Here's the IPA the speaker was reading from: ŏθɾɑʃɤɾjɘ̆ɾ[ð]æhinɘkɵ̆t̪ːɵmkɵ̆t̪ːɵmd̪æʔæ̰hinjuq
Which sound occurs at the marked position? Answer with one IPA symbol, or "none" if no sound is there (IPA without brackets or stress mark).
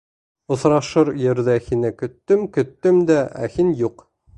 ð